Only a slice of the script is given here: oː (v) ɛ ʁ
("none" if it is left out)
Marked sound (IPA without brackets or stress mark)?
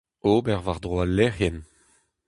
b